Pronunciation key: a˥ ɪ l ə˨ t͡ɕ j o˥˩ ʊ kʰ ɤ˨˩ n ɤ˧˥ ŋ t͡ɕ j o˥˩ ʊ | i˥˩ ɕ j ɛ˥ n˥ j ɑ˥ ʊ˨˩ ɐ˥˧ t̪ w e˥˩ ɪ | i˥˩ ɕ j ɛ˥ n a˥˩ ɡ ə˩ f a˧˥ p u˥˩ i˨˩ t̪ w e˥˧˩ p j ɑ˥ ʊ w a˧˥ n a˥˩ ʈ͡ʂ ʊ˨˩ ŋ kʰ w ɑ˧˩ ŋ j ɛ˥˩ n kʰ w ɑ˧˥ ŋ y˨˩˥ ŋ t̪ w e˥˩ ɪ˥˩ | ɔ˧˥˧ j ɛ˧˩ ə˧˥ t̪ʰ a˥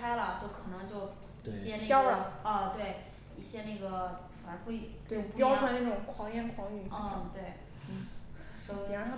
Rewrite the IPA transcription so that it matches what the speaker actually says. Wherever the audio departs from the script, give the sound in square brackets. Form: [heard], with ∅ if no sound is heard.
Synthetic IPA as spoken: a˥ ɪ l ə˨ t͡ɕ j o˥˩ ʊ kʰ ɤ˨˩ n ɤ˧˥ ŋ t͡ɕ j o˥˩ ʊ | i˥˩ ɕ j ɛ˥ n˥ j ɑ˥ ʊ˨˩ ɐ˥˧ t̪ w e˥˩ ɪ | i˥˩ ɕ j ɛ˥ n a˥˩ ɡ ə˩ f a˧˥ p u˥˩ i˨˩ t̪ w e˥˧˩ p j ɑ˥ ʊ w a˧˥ n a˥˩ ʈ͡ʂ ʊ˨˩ ŋ kʰ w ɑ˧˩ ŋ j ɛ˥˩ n kʰ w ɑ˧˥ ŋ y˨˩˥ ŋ t̪ w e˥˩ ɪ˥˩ | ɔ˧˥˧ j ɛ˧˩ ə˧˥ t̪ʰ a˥